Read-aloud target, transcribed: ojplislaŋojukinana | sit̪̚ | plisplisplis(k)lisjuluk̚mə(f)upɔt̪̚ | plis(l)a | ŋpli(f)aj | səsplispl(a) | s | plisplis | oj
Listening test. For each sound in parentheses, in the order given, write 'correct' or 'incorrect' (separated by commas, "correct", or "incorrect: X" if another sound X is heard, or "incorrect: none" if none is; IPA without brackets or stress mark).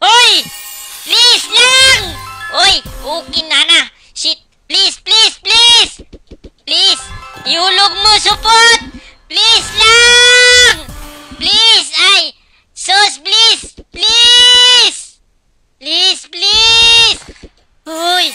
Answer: incorrect: p, incorrect: s, correct, incorrect: s, incorrect: i